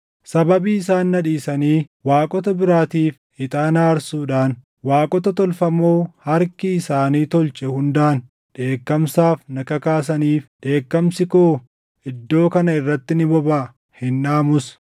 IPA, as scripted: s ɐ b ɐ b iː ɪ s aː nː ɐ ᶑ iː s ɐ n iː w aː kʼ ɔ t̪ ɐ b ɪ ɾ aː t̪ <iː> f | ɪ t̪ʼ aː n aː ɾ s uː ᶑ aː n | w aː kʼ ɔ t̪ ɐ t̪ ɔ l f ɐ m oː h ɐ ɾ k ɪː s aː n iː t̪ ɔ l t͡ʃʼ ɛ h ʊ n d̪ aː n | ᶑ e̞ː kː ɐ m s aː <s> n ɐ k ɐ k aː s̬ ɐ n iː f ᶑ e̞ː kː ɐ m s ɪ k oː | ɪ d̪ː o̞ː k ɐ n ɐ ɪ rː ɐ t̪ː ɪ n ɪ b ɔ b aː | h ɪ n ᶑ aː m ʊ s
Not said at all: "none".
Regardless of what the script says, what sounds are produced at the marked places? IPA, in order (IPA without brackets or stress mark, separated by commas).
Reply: iː, f